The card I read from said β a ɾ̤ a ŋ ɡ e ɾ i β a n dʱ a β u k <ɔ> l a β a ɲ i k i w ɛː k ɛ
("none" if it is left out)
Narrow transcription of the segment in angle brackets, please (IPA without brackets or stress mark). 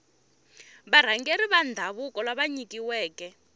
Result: ɔ